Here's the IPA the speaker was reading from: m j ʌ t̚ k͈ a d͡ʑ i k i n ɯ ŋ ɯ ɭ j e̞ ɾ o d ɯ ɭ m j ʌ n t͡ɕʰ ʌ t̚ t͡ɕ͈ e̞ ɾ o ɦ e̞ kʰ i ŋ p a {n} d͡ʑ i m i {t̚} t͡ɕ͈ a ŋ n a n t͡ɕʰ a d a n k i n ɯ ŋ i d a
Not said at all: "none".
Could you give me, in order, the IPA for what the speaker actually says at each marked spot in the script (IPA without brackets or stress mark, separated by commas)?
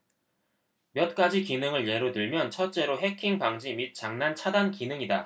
ŋ, t̚